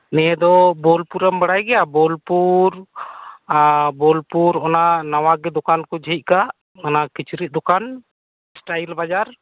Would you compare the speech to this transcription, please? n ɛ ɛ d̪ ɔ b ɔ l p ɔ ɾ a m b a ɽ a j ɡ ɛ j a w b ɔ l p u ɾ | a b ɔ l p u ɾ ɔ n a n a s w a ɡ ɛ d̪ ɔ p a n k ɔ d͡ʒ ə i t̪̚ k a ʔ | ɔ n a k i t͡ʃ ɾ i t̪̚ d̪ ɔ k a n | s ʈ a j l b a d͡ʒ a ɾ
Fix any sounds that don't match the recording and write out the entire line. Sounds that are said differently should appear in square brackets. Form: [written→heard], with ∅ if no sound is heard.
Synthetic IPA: n ɛ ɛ d̪ ɔ b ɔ l p [ɔ→u] ɾ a m b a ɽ a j ɡ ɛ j a [w→∅] b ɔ l p u ɾ | a b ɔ l p u ɾ ɔ n a n a [s→∅] w a ɡ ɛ d̪ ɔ [p→k] a n k ɔ d͡ʒ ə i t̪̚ k a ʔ | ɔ n a k i t͡ʃ ɾ i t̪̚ d̪ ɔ k a n | s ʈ a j l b a d͡ʒ a ɾ